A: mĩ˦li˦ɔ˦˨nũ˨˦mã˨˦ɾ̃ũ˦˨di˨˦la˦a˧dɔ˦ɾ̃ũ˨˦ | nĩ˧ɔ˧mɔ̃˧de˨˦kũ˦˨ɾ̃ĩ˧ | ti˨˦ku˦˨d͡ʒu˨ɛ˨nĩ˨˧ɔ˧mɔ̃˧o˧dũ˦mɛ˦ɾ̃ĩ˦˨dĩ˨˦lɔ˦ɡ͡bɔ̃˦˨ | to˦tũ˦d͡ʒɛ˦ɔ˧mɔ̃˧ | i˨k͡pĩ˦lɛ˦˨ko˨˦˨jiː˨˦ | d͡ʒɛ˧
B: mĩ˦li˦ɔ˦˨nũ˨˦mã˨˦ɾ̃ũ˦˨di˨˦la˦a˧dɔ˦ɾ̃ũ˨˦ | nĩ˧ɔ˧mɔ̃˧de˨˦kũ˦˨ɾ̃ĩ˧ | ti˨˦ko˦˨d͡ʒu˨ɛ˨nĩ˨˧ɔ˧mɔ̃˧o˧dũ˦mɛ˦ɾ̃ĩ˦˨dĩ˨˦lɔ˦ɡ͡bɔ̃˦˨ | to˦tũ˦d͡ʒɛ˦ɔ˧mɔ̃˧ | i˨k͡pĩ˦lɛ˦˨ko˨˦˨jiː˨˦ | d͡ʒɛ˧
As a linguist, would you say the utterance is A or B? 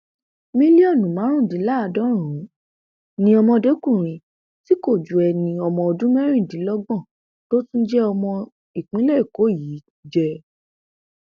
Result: B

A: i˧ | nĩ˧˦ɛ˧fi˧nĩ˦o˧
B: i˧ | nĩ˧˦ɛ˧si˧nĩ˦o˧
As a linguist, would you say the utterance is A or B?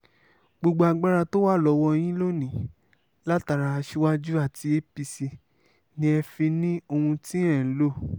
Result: A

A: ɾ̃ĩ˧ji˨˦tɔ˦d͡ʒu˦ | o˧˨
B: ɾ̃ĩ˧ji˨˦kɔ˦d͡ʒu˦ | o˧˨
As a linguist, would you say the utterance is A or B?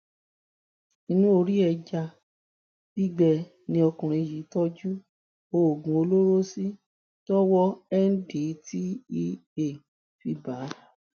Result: A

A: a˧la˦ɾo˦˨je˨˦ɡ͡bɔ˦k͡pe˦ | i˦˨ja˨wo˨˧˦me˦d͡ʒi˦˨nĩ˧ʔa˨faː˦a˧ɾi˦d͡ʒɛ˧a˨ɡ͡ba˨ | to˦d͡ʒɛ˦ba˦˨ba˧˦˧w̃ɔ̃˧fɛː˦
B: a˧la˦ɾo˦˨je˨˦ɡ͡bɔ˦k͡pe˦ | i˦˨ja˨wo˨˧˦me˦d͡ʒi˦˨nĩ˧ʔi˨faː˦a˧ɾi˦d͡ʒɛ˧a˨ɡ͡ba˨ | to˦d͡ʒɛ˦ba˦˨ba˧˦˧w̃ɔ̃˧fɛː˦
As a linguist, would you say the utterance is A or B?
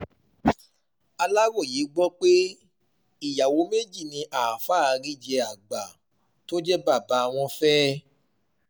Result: A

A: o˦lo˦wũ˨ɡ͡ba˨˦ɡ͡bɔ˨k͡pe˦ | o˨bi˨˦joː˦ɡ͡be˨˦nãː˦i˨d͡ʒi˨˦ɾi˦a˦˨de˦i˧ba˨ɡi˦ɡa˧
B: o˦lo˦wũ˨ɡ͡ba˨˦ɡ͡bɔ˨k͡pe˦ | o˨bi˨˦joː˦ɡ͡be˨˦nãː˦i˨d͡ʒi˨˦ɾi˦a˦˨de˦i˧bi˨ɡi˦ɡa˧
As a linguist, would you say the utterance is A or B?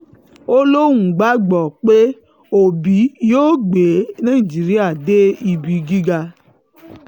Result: B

